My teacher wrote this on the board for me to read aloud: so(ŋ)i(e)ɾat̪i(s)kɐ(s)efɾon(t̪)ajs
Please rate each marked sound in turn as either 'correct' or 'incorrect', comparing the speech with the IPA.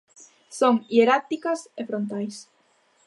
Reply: correct, correct, incorrect: none, correct, correct

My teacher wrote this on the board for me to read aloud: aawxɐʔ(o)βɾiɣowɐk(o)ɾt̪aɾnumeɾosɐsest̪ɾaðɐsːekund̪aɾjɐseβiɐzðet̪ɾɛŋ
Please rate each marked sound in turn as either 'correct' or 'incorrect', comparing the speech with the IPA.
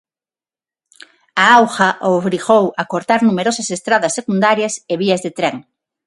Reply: correct, correct

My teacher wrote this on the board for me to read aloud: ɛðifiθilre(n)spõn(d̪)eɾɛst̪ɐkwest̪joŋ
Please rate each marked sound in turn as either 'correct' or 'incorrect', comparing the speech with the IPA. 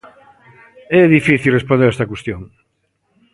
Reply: incorrect: none, correct

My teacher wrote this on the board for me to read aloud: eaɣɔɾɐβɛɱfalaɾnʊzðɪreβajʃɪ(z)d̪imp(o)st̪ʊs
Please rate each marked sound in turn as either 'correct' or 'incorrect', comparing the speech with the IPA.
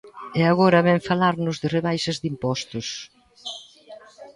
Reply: correct, incorrect: ɔ

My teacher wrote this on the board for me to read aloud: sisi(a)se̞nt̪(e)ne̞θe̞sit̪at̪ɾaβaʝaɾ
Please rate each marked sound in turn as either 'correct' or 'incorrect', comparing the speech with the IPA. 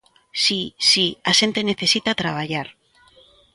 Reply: correct, correct

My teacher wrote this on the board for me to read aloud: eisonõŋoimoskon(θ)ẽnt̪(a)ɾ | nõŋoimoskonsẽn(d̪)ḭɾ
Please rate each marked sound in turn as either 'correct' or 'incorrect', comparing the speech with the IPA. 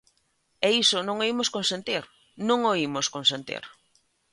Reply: incorrect: s, incorrect: i, incorrect: t̪

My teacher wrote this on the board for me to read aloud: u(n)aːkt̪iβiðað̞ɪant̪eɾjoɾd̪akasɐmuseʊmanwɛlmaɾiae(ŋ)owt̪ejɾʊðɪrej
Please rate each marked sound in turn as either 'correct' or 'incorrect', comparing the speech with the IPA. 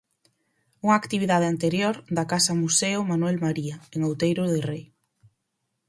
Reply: incorrect: ŋ, correct

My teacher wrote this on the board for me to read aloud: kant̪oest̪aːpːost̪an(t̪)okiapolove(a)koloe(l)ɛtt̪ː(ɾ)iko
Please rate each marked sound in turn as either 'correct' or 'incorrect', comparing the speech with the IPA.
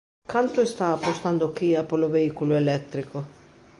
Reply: incorrect: d̪, incorrect: i, correct, correct

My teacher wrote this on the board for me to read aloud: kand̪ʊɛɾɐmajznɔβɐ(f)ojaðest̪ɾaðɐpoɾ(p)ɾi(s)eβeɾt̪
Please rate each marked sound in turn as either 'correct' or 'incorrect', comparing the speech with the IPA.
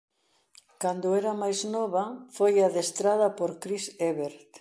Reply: correct, incorrect: k, correct

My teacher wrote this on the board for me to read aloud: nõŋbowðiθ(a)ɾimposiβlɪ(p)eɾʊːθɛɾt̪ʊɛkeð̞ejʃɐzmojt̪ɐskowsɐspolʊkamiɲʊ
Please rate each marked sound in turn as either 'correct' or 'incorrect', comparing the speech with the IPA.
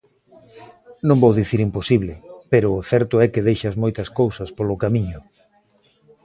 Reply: incorrect: i, correct

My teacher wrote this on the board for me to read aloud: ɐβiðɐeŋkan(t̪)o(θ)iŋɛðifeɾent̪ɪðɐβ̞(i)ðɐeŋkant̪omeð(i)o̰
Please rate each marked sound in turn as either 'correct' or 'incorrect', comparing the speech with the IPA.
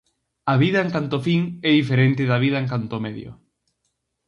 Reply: correct, incorrect: f, correct, incorrect: j

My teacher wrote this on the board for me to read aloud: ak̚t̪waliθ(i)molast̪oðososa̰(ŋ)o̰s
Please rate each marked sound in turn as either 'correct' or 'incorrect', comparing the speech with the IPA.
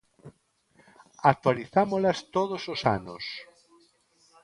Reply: incorrect: a, incorrect: n

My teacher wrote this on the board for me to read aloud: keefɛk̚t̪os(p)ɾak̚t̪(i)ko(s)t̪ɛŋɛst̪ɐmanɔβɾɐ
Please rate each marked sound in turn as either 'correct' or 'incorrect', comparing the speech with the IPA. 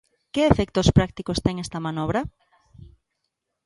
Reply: correct, correct, correct

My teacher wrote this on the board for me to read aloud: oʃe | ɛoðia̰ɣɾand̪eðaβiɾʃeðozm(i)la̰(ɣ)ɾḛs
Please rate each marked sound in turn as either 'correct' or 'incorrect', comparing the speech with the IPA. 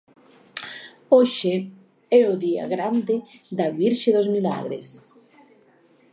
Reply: correct, correct

